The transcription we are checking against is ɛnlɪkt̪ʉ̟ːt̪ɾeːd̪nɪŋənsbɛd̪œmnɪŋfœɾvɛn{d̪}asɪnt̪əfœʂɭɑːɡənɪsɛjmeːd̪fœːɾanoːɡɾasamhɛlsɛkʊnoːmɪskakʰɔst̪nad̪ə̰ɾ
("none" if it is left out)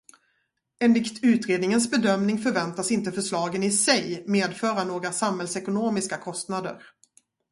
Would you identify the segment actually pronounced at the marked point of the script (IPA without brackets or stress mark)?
t̪